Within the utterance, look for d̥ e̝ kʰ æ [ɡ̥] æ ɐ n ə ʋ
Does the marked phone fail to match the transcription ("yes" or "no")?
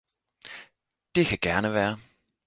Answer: no